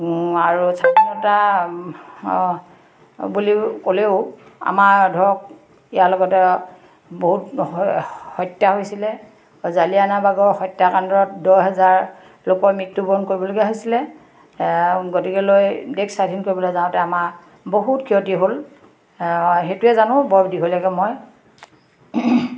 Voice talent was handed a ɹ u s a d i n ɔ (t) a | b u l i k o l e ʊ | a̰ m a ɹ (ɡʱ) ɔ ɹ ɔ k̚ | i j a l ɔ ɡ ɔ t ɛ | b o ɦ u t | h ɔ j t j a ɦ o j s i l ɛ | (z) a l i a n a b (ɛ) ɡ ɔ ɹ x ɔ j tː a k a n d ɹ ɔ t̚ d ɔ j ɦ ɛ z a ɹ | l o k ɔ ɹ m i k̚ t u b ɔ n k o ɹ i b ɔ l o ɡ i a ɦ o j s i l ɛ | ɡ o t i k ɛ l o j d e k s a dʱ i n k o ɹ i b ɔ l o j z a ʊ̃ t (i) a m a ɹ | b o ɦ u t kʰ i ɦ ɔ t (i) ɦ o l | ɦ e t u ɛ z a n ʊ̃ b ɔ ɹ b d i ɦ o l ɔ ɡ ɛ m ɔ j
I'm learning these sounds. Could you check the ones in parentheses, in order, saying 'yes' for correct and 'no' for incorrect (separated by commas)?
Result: yes, no, yes, no, no, yes